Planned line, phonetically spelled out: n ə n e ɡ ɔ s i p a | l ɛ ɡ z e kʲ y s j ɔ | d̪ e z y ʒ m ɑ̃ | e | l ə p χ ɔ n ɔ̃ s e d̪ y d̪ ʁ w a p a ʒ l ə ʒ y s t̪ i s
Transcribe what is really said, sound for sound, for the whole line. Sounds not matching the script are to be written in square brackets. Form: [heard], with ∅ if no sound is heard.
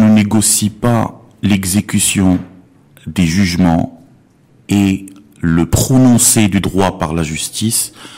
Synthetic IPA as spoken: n ə n e ɡ ɔ s i p a | l ɛ ɡ z e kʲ y s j [ɔ̃] | d̪ e [ʒ] y ʒ m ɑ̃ | e | l ə p χ ɔ n ɔ̃ s e d̪ y d̪ ʁ w a p a [ʁ] l [a] ʒ y s t̪ i s